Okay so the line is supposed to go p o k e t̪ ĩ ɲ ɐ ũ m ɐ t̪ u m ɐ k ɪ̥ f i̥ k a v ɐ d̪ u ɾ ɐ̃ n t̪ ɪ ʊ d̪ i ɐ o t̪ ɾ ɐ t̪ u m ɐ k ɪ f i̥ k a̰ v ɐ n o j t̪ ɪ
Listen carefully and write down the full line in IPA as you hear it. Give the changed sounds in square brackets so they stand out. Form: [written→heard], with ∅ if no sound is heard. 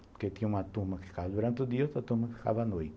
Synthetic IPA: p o k e t̪ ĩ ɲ ɐ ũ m ɐ t̪ u m ɐ k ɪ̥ f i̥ k a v ɐ d̪ u ɾ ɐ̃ n t̪ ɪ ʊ d̪ i ɐ o t̪ ɾ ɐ t̪ u m ɐ k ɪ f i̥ k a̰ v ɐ n o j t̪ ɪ